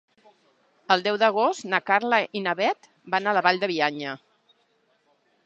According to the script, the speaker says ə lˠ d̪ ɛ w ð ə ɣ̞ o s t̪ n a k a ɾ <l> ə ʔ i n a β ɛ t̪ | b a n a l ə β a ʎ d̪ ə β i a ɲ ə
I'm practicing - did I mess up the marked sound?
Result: no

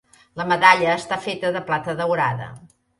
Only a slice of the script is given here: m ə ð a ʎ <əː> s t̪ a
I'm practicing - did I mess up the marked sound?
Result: no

